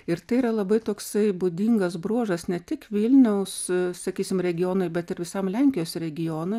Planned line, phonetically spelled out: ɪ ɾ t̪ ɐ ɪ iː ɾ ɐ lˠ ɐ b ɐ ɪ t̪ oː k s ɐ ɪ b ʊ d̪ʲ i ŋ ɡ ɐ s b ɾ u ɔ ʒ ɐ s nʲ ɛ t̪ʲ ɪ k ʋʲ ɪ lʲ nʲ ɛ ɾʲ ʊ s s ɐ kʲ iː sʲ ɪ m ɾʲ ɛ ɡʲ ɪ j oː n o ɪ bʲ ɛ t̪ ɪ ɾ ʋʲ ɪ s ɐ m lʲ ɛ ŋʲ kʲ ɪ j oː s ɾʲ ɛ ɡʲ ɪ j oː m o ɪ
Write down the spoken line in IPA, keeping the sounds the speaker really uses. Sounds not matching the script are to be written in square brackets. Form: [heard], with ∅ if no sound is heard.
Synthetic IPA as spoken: ɪ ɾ t̪ ɐ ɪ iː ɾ ɐ lˠ ɐ b ɐ ɪ t̪ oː k s ɐ ɪ b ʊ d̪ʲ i ŋ ɡ ɐ s b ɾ u ɔ ʒ ɐ s nʲ ɛ t̪ʲ ɪ k ʋʲ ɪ lʲ nʲ ɛ [∅] ʊ s s ɐ kʲ iː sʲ ɪ m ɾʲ ɛ ɡʲ ɪ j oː n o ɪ bʲ ɛ t̪ ɪ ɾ ʋʲ ɪ s ɐ m lʲ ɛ ŋʲ kʲ ɪ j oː s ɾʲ ɛ ɡʲ ɪ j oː [n] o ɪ

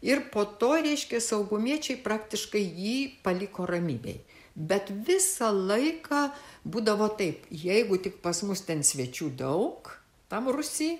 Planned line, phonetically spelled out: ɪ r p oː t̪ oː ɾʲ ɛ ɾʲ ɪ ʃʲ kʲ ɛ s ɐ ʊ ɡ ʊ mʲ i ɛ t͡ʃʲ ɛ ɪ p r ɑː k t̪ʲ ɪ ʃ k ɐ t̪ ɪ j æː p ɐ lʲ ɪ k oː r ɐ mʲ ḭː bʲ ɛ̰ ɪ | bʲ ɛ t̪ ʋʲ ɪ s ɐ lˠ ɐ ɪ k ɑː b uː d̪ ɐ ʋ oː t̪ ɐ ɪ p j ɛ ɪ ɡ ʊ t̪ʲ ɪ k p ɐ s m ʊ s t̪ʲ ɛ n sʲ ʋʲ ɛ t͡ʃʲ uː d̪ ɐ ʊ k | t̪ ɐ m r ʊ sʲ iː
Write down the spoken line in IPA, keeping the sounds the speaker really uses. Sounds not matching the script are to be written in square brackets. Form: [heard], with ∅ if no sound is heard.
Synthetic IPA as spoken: ɪ r p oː t̪ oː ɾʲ ɛ [∅] ɪ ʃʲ kʲ ɛ s ɐ ʊ ɡ ʊ mʲ i ɛ t͡ʃʲ ɛ ɪ p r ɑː k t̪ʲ ɪ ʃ k ɐ [∅] ɪ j [iː] p ɐ lʲ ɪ k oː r ɐ mʲ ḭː bʲ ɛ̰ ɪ | bʲ ɛ t̪ ʋʲ ɪ s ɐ lˠ ɐ ɪ k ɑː b uː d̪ ɐ ʋ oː t̪ ɐ ɪ p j ɛ ɪ ɡ ʊ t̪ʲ ɪ k p ɐ s m ʊ s t̪ʲ ɛ n sʲ ʋʲ ɛ t͡ʃʲ uː d̪ ɐ ʊ k | t̪ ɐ m r ʊ sʲ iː

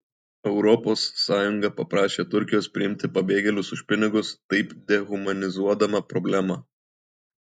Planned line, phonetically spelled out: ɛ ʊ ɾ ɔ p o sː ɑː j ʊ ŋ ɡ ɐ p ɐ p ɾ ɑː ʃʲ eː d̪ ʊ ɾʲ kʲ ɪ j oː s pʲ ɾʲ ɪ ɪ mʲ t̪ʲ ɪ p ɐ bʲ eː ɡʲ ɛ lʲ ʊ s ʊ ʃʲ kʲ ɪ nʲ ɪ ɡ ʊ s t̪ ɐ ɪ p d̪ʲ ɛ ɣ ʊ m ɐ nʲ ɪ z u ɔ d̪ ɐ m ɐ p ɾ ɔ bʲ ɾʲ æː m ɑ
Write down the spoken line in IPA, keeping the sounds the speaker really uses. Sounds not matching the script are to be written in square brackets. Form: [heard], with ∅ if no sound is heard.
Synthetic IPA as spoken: ɛ ʊ ɾ ɔ p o sː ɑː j ʊ ŋ ɡ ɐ p ɐ p ɾ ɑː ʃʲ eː [t̪] ʊ ɾʲ kʲ ɪ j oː s pʲ ɾʲ ɪ ɪ mʲ t̪ʲ ɪ p ɐ bʲ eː ɡʲ ɛ lʲ ʊ s ʊ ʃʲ [pʲ] ɪ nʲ ɪ ɡ ʊ s t̪ ɐ ɪ p d̪ʲ ɛ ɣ ʊ m ɐ nʲ ɪ z u ɔ d̪ ɐ m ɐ p ɾ ɔ bʲ [lʲ] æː m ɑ

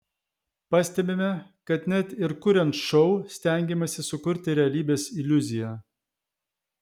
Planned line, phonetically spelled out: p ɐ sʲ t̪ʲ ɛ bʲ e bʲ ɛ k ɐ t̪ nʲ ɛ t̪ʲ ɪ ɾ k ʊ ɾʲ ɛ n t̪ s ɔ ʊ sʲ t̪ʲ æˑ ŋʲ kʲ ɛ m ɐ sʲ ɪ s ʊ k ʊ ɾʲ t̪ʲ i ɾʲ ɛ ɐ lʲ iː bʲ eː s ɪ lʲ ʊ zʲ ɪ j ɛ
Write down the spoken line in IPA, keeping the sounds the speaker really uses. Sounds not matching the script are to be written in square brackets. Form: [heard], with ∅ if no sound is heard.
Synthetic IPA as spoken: p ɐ sʲ t̪ʲ ɛ bʲ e [mʲ] ɛ k ɐ t̪ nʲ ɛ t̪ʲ ɪ ɾ k ʊ ɾʲ ɛ n t̪ [ʃ] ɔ ʊ sʲ t̪ʲ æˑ ŋʲ [ɡʲ] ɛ m ɐ sʲ ɪ s ʊ k ʊ ɾʲ t̪ʲ [ɪ] ɾʲ ɛ ɐ lʲ iː bʲ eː s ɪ lʲ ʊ zʲ ɪ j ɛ

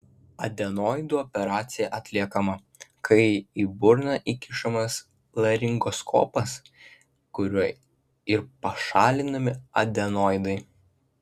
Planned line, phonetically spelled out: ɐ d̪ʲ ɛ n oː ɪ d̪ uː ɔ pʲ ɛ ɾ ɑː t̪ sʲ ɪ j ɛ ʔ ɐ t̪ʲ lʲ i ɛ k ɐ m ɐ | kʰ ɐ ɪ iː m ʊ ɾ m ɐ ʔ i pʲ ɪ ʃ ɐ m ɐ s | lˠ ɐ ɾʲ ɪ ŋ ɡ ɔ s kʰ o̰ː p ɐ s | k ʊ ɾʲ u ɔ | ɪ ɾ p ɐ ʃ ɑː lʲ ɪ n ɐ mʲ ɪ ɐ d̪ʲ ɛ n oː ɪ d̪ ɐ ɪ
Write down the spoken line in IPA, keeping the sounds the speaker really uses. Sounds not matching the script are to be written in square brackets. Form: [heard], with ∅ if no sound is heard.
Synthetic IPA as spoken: ɐ d̪ʲ ɛ n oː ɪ d̪ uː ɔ pʲ ɛ ɾ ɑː t̪ sʲ ɪ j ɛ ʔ ɐ t̪ʲ lʲ i ɛ k ɐ m ɐ | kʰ ɐ ɪ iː [b] ʊ ɾ [n] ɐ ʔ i [kʲ] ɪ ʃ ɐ m ɐ s | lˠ ɐ ɾʲ ɪ ŋ ɡ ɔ s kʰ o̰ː p ɐ s | k ʊ ɾʲ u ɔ | ɪ ɾ p ɐ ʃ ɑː lʲ ɪ n ɐ mʲ ɪ ɐ d̪ʲ ɛ n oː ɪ d̪ ɐ ɪ

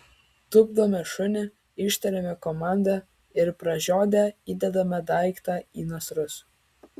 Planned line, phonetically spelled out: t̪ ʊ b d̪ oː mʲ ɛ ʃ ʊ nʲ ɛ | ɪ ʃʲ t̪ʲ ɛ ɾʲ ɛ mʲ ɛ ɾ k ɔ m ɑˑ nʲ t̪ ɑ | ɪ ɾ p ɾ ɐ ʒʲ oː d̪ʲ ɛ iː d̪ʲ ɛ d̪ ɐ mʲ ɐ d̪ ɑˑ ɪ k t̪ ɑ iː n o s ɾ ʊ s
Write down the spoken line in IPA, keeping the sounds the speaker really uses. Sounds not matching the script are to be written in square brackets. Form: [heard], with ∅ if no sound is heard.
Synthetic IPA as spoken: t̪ ʊ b d̪ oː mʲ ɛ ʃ ʊ nʲ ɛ | ɪ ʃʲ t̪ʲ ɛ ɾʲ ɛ mʲ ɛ [∅] k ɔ m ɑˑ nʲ [d̪] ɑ | ɪ ɾ p ɾ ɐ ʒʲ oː d̪ʲ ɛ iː d̪ʲ ɛ d̪ ɐ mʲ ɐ d̪ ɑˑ ɪ k t̪ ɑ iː n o s ɾ ʊ s

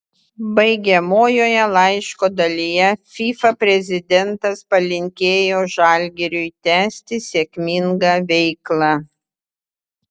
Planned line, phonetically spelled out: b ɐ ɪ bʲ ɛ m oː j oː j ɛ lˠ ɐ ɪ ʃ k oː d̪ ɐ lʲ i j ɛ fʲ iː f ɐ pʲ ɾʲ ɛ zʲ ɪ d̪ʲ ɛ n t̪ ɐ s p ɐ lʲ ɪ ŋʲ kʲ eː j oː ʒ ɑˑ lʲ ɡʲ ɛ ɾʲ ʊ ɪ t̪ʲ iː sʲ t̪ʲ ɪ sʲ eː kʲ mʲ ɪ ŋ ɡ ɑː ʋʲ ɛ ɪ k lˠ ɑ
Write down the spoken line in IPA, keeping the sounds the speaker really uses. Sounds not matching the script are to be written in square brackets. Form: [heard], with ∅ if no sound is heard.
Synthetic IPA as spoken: b ɐ ɪ [ɡʲ] ɛ m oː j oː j ɛ lˠ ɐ ɪ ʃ k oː d̪ ɐ lʲ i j ɛ fʲ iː f ɐ pʲ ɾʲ ɛ zʲ ɪ d̪ʲ ɛ n t̪ ɐ s p ɐ lʲ ɪ ŋʲ kʲ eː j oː ʒ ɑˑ lʲ ɡʲ ɛ ɾʲ ʊ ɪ t̪ʲ [æː] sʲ t̪ʲ ɪ sʲ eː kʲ mʲ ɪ ŋ ɡ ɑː ʋʲ ɛ ɪ k lˠ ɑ

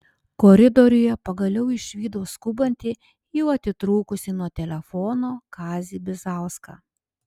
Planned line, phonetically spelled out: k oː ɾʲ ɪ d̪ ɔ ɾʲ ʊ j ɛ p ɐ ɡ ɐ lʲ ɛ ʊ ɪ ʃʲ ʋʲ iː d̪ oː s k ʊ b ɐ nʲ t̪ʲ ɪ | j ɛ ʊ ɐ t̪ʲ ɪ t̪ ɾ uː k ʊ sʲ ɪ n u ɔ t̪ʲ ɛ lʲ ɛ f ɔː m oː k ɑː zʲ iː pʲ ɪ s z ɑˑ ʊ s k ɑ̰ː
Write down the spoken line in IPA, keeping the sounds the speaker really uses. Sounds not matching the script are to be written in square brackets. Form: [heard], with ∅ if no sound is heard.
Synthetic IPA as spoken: k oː ɾʲ ɪ d̪ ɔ ɾʲ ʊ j ɛ p ɐ ɡ ɐ lʲ ɛ ʊ ɪ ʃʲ ʋʲ iː d̪ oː s k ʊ b ɐ nʲ t̪ʲ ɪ | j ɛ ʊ ɐ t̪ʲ ɪ t̪ ɾ uː k ʊ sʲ ɪ n u ɔ t̪ʲ ɛ lʲ ɛ f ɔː [n] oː k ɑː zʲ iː [bʲ] ɪ [∅] z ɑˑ ʊ s k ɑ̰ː

